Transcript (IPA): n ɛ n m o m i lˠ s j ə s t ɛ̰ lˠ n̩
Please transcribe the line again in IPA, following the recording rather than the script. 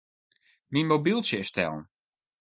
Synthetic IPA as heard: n i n m o b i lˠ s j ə s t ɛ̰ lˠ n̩